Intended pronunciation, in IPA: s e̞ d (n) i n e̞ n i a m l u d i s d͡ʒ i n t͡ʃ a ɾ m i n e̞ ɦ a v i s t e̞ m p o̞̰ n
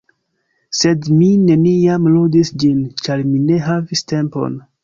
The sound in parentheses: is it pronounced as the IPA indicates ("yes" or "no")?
no